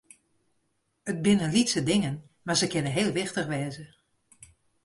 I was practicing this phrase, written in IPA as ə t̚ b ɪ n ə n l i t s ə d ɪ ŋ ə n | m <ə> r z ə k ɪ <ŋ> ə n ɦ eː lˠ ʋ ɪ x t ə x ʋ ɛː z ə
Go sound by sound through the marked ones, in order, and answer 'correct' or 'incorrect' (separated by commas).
incorrect, incorrect